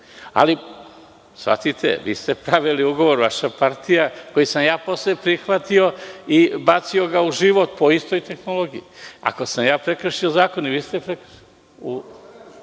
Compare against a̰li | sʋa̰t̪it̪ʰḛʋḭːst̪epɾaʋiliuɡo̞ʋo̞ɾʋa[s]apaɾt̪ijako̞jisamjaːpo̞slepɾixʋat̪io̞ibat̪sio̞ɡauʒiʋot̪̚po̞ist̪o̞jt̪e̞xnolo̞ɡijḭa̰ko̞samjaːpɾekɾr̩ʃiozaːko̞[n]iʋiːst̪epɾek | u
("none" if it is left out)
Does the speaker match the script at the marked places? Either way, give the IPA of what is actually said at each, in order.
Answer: ʃ, n

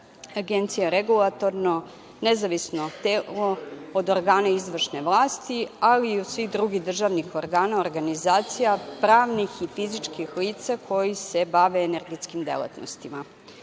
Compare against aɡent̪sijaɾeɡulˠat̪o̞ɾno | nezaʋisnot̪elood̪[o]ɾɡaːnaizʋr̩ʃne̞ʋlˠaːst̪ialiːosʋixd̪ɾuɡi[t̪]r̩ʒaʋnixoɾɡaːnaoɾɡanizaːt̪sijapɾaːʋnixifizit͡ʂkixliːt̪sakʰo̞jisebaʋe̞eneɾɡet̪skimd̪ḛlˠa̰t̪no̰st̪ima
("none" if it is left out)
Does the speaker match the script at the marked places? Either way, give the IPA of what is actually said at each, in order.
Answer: o, d̪

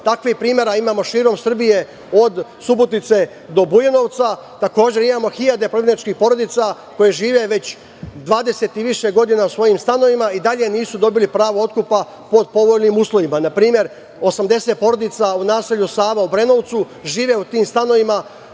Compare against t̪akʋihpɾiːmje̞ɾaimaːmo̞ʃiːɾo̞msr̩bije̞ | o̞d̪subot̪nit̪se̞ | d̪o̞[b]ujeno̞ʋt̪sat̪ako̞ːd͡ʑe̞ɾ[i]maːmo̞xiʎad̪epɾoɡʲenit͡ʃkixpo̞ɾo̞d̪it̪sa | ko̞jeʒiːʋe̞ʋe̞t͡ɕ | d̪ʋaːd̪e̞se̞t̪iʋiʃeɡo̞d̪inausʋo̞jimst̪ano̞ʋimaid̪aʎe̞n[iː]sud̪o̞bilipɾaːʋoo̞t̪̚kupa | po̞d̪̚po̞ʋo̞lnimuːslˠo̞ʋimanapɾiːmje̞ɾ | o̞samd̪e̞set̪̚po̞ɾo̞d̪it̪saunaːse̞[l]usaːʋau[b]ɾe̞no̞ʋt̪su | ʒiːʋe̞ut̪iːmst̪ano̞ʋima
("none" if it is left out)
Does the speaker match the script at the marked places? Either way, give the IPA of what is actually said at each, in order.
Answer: b, i, iː, ʎ, b

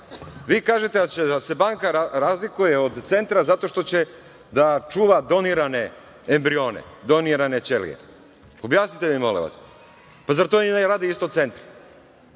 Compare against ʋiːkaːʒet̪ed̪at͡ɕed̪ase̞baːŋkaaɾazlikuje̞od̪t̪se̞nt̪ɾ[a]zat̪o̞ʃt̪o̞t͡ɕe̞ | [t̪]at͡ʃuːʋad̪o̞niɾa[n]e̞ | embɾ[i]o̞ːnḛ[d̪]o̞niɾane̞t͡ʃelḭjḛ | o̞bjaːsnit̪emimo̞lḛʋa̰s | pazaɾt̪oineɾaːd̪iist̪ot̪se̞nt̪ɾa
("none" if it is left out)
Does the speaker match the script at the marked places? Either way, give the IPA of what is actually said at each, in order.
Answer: a, d̪, n, i, d̪

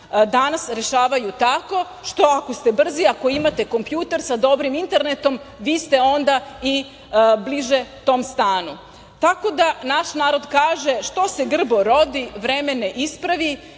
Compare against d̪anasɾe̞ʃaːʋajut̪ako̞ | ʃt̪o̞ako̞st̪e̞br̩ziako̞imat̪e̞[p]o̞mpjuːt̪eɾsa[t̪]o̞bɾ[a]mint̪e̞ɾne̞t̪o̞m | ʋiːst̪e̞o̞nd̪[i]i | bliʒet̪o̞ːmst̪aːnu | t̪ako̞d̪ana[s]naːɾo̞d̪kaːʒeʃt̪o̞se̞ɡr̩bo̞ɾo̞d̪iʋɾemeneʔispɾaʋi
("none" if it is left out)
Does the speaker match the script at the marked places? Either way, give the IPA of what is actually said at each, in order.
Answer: k, d̪, i, a, ʃ

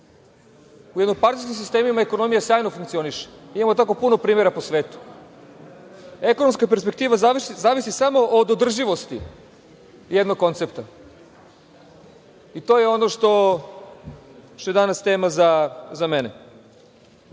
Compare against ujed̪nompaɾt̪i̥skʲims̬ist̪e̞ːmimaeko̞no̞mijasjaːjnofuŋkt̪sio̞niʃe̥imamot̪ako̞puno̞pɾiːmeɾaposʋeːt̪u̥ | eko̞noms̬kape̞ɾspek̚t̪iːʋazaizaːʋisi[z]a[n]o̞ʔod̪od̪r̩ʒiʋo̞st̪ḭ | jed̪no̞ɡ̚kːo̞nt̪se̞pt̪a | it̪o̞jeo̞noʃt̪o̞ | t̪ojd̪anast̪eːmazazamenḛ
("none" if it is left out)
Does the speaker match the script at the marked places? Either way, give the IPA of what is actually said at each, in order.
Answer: s, m

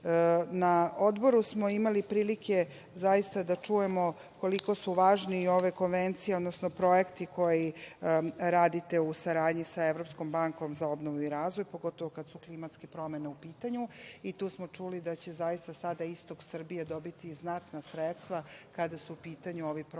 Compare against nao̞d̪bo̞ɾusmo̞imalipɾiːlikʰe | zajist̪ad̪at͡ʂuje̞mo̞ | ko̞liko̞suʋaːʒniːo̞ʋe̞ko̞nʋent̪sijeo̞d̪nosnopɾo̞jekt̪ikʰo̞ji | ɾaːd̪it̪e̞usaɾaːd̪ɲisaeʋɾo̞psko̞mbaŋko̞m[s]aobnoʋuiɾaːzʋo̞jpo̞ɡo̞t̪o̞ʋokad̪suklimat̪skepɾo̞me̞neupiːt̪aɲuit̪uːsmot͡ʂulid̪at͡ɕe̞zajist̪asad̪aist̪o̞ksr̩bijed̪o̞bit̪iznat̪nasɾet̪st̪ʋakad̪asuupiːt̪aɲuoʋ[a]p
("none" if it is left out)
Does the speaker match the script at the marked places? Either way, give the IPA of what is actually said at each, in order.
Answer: z, i

